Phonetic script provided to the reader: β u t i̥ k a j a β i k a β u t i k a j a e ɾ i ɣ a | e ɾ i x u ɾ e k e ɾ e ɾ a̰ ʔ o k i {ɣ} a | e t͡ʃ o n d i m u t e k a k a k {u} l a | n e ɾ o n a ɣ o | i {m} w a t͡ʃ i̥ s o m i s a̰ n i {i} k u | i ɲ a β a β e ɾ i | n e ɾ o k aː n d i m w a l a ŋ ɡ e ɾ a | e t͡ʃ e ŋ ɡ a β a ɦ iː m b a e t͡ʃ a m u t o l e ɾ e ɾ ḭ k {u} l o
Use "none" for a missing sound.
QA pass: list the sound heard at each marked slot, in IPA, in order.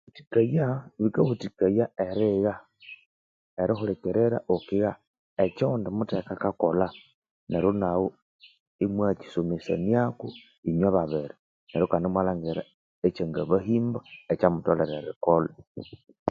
ɣ, o, m, a, o

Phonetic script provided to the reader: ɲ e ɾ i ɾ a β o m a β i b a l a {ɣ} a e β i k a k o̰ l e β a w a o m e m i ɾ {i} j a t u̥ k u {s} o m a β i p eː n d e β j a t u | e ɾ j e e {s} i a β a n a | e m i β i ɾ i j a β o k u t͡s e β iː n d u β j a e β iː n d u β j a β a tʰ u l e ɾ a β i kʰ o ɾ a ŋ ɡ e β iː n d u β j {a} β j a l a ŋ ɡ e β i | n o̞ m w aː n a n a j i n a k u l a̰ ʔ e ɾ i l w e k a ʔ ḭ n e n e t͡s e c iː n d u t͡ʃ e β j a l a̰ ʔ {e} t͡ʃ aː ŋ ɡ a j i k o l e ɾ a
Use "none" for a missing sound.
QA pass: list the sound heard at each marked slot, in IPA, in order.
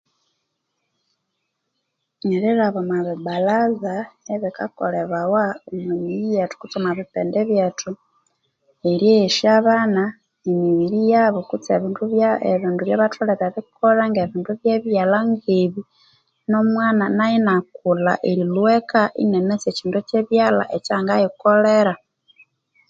z, i, t͡s, ʃ, e, e

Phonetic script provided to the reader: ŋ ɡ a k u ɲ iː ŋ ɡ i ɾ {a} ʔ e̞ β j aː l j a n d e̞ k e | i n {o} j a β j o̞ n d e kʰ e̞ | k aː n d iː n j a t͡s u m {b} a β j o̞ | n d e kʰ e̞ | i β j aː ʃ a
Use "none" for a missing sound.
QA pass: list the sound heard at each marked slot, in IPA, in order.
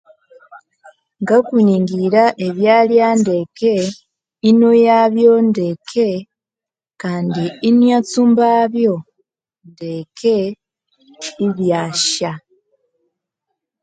a, o, b

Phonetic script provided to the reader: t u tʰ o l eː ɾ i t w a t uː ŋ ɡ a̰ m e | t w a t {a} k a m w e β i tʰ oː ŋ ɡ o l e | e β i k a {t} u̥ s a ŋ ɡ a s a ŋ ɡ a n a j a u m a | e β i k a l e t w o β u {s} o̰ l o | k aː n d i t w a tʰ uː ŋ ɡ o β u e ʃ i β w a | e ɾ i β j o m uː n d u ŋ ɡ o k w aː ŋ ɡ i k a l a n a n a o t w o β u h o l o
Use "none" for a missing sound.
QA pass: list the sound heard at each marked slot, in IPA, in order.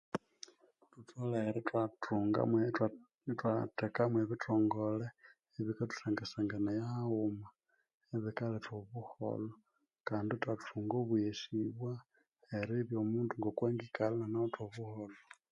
e, t, h

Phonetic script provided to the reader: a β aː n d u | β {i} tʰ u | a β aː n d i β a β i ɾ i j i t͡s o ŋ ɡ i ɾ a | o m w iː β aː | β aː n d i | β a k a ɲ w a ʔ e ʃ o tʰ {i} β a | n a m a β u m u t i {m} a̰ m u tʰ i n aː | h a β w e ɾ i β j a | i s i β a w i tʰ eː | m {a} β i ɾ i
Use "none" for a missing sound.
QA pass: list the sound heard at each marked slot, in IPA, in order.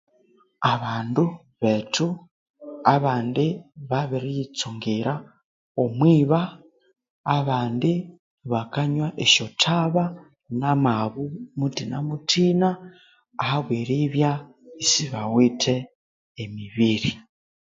e, a, n, i

